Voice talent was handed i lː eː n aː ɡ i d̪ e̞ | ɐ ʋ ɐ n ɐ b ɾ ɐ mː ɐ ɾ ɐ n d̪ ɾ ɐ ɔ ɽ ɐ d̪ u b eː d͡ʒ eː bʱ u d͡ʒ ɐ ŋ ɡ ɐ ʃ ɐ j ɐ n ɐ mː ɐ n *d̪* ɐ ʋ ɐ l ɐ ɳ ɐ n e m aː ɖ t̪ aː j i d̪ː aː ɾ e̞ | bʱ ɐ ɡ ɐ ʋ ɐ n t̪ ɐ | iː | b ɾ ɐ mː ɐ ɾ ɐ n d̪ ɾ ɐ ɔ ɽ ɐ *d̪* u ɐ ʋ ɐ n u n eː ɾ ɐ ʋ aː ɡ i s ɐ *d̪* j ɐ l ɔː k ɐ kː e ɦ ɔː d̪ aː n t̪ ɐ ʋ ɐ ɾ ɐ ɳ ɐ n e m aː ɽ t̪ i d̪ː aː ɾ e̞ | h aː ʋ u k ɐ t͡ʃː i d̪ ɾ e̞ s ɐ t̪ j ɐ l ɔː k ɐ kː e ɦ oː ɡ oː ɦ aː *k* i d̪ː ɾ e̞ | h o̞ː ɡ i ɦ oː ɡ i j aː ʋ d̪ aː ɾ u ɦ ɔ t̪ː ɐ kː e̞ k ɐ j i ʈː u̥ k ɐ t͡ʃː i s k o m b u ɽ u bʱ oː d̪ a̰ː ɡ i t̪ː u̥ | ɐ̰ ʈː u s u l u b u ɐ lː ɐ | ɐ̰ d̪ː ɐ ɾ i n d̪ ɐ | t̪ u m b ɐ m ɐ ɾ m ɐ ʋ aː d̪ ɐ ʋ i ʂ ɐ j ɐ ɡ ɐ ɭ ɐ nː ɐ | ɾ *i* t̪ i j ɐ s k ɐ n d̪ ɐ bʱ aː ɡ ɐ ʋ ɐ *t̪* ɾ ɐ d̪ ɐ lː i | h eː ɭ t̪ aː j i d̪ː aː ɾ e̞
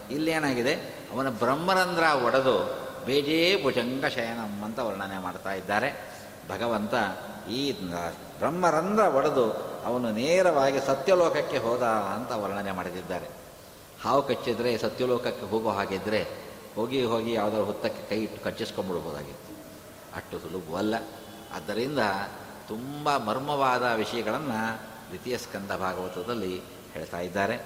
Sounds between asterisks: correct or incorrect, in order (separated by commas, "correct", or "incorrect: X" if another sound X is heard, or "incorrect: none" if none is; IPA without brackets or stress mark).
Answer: incorrect: t̪, correct, incorrect: t̪, incorrect: ɡ, correct, correct